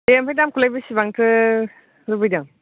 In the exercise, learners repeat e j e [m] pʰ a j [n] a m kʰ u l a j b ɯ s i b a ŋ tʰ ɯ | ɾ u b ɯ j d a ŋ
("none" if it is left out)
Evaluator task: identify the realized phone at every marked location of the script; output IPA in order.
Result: m, d

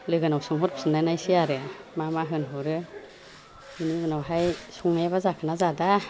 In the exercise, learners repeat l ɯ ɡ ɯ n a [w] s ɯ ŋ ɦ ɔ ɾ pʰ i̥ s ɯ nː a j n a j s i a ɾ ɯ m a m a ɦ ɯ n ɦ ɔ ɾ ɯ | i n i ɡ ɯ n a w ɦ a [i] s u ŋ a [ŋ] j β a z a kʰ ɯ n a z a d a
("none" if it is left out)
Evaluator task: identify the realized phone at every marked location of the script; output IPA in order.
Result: w, j, none

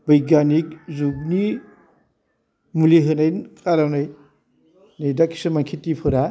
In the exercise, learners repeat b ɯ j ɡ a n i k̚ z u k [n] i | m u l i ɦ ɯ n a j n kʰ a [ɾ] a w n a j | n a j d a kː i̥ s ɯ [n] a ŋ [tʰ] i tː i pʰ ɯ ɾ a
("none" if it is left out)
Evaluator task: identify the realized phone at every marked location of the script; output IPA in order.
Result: n, ɾ, m, kʰ

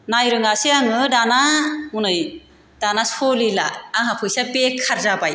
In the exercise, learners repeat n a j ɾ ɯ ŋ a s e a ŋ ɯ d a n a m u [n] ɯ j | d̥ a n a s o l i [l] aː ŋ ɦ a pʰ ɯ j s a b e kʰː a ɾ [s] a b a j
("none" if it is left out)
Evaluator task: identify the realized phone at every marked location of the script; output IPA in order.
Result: n, l, z

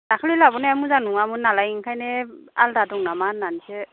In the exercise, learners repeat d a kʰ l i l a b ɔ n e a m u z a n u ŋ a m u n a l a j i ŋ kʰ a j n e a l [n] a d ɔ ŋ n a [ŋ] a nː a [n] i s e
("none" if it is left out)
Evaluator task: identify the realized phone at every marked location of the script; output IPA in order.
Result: d, m, n

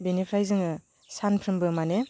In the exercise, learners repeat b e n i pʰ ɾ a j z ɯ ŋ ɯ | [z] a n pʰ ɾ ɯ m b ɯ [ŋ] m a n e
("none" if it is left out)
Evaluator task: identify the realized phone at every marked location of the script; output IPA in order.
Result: s, none

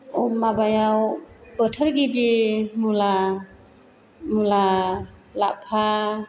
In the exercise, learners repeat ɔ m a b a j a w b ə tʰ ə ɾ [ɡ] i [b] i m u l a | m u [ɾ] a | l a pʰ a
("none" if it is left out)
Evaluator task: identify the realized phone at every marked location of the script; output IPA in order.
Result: ɡ, b, l

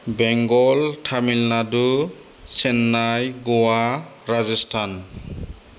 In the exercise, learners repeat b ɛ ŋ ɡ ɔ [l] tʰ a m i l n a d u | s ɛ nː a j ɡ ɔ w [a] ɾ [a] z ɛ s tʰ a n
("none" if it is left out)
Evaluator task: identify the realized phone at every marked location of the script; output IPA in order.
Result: l, a, a

